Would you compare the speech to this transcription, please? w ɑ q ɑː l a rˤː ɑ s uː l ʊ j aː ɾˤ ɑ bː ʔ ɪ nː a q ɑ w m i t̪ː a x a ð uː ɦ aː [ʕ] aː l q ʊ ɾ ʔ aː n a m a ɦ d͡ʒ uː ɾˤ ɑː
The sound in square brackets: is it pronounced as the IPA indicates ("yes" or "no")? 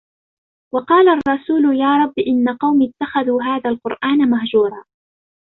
no